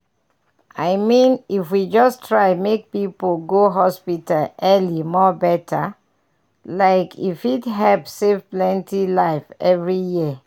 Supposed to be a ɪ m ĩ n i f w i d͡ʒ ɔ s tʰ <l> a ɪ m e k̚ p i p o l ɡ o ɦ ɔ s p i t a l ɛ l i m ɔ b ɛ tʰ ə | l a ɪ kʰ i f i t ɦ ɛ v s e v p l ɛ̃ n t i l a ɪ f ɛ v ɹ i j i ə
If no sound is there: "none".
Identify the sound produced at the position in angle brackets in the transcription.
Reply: ɹ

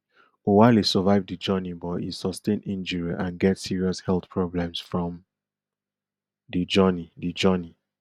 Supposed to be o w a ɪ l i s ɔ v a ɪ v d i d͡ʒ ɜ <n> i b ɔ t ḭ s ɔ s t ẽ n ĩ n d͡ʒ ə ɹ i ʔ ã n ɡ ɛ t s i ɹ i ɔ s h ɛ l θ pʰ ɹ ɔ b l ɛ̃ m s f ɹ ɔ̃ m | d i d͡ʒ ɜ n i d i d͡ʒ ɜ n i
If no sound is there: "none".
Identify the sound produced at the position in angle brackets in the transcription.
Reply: n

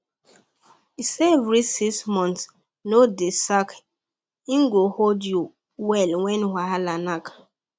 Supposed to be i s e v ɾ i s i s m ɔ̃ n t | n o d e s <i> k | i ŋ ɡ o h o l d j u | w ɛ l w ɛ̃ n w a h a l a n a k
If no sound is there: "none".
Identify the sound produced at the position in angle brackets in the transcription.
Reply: a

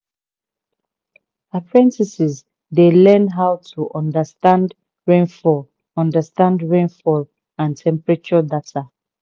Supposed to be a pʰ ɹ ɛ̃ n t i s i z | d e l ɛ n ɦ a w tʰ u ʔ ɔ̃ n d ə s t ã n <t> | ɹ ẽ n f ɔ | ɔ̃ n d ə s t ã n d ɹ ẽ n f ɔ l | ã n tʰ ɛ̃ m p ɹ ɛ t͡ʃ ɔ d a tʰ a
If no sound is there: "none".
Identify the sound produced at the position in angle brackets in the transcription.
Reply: d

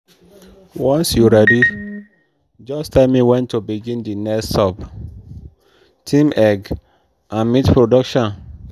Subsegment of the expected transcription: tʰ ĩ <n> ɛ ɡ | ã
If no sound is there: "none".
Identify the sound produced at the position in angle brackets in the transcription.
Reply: m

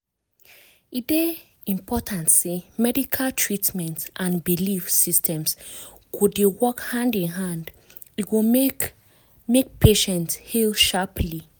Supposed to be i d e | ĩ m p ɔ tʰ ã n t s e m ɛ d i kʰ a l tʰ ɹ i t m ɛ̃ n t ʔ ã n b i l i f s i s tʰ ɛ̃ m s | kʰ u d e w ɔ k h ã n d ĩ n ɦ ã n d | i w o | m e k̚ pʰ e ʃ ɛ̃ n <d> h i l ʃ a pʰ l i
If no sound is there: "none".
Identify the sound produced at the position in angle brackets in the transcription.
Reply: t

